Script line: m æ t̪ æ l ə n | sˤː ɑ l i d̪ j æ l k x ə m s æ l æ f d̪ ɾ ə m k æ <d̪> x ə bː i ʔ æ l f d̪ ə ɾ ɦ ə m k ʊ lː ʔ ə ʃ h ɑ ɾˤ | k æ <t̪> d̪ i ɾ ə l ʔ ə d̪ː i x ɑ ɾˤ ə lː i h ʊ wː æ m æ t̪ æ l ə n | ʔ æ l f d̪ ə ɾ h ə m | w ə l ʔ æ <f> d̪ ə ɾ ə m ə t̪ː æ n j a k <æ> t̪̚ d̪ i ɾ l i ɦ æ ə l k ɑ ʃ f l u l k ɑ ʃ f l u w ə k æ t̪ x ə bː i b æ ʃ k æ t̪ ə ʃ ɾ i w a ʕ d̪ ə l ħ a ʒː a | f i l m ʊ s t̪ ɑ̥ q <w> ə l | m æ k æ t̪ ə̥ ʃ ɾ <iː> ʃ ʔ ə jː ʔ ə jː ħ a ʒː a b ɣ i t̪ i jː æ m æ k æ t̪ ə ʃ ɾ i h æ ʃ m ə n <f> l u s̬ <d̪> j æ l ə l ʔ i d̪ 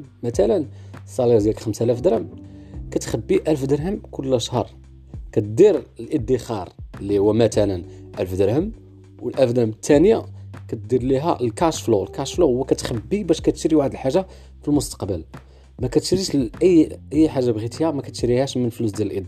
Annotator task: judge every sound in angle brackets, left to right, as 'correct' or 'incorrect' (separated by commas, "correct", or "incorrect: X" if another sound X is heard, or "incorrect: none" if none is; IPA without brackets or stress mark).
incorrect: t̪, correct, correct, correct, incorrect: b, incorrect: i, correct, correct